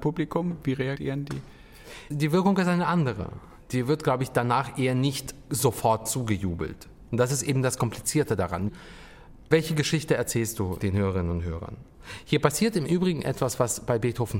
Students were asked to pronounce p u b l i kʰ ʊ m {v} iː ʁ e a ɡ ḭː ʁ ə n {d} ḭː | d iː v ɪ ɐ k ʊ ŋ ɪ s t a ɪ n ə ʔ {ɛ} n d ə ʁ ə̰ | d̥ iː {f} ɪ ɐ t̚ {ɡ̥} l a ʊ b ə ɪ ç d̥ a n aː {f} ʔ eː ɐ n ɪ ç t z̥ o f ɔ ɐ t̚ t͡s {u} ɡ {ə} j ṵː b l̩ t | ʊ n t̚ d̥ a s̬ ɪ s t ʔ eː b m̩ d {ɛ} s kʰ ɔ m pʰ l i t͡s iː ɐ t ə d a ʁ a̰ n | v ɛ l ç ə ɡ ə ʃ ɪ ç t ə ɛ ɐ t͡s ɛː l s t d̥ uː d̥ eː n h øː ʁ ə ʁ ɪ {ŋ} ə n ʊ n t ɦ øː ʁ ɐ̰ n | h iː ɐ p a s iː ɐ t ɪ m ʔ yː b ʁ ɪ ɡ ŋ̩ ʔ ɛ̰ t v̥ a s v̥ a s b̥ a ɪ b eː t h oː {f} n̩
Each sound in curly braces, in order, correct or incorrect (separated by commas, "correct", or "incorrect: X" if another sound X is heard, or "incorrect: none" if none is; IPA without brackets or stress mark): correct, correct, incorrect: a, incorrect: v, correct, incorrect: χ, incorrect: uː, correct, incorrect: a, incorrect: n, correct